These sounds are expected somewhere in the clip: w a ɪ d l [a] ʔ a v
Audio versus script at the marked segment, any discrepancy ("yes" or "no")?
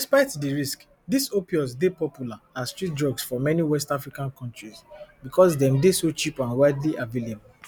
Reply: yes